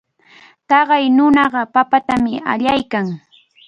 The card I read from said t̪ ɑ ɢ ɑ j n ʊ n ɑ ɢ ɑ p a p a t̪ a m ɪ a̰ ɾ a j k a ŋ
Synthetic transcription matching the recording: t̪ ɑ ɢ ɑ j n ʊ n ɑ ɢ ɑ p a p a t̪ a m ɪ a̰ ʎ a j k a ŋ